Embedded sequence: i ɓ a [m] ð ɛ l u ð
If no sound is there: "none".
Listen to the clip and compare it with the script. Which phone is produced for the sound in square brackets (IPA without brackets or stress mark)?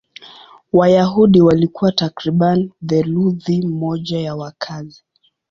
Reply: n